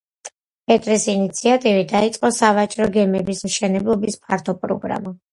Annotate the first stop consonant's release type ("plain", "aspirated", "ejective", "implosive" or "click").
ejective